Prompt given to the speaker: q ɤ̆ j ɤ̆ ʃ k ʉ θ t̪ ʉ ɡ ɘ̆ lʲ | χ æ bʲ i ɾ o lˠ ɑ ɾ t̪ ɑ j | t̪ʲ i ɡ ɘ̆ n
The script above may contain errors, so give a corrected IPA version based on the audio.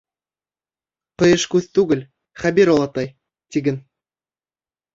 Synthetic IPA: q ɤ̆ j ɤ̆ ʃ k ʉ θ t̪ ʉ ɡ ɘ̆ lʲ | χ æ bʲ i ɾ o lˠ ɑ t̪ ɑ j | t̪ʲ i ɡ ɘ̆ n